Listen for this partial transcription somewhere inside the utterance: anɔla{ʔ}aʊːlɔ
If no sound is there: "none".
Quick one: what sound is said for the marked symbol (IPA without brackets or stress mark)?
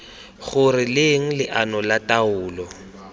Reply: t